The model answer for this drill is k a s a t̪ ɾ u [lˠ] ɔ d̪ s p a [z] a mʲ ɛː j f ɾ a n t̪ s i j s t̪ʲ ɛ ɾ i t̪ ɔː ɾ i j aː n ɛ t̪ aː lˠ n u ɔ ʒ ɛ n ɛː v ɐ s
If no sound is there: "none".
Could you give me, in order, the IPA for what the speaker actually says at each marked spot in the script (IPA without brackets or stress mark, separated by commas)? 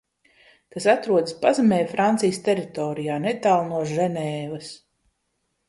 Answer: none, z